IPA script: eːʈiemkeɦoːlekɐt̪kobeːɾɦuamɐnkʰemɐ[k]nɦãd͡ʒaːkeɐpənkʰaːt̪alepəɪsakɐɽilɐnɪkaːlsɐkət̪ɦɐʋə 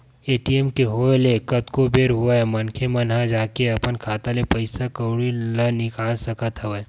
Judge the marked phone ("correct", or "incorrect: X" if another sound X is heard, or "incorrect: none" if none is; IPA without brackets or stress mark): incorrect: none